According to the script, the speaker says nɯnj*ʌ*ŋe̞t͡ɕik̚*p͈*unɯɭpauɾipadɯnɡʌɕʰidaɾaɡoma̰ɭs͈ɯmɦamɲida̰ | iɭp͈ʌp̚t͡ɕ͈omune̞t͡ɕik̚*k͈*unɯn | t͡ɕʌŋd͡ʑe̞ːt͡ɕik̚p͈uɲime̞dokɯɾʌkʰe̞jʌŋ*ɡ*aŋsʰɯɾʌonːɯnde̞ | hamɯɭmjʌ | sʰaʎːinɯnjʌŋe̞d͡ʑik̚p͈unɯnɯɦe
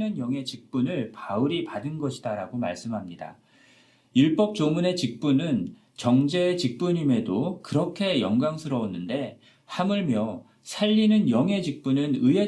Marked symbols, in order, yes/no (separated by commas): yes, yes, no, yes